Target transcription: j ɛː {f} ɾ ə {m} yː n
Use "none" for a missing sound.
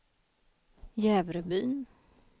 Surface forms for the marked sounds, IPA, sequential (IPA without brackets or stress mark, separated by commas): v, b